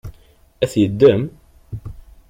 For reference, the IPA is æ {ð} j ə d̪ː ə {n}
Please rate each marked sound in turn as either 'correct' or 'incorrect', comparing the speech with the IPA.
incorrect, incorrect

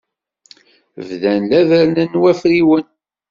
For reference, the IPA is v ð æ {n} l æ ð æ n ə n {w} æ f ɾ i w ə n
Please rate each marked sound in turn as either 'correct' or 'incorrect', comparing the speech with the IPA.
correct, correct

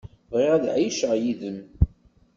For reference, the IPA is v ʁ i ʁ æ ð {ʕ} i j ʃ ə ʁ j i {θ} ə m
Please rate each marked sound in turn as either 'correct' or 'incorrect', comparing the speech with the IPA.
correct, incorrect

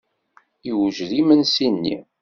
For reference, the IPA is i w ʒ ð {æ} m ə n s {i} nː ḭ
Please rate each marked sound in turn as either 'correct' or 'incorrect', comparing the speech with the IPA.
incorrect, correct

